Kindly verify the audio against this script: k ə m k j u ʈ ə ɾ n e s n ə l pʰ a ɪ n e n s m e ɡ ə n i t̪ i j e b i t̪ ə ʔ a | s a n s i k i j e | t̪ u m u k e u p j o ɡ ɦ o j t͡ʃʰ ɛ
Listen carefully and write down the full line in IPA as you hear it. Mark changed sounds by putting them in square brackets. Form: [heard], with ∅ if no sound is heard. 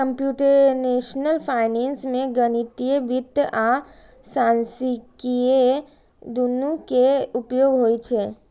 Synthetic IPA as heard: k ə m [p] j u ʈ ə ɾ n e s n ə l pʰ a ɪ n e n s m e ɡ ə n i t̪ i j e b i t̪ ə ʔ a | s a n s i k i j e | [d̪] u [n] u k e u p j o ɡ ɦ o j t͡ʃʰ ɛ